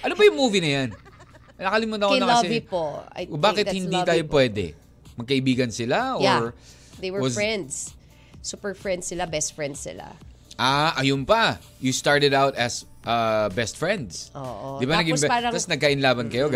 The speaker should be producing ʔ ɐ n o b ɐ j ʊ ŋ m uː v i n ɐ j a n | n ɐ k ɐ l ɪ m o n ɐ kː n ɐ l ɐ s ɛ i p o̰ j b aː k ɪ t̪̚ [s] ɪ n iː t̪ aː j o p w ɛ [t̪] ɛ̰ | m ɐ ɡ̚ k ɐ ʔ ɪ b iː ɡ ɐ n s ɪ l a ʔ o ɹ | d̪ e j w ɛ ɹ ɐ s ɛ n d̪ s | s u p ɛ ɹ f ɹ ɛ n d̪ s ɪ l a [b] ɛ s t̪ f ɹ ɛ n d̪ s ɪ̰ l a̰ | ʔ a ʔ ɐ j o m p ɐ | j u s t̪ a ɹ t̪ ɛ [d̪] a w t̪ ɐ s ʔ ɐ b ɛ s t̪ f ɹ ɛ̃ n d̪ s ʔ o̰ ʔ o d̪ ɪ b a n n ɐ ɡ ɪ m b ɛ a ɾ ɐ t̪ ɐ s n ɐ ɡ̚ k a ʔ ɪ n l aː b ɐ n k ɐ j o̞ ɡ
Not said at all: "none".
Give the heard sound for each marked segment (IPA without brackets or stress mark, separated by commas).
h, d̪, b, d̪